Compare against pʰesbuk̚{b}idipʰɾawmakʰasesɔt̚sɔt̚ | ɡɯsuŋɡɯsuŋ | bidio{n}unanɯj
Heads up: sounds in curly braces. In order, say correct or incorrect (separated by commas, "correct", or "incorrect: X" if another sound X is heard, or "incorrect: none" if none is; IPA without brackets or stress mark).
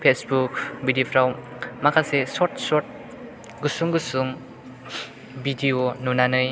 correct, correct